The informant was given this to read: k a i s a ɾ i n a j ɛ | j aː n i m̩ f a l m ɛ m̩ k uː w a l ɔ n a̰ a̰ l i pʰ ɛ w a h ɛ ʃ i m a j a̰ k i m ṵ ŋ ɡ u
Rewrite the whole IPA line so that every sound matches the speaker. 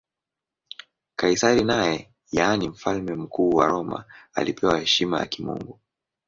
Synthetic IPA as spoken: k a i s a ɾ i n a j ɛ | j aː n i m̩ f a l m ɛ m̩ k uː w a ɾ ɔ m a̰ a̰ l i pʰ ɛ w a h ɛ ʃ i m a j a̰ k i m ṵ ŋ ɡ u